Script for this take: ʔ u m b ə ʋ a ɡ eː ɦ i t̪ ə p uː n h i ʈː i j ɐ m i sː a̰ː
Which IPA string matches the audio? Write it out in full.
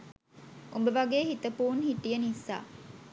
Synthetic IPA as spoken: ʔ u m b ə ʋ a ɡ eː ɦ i t̪ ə p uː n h i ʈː i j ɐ n i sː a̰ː